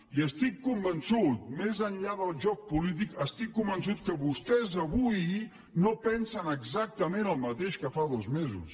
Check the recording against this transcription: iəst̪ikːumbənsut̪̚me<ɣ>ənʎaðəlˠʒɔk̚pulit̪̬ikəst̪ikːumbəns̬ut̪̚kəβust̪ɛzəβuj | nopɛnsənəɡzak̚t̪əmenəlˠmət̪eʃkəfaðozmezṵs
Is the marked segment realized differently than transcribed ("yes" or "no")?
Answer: yes